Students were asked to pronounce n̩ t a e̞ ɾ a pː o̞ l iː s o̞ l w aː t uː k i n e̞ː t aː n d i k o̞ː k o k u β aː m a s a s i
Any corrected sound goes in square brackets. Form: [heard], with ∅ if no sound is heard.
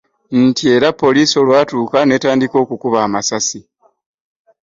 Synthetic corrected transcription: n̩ t [i] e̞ ɾ a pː o̞ l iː s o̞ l w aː t uː k [a] n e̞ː t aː n d i k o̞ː k [u] k u β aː m a s a s i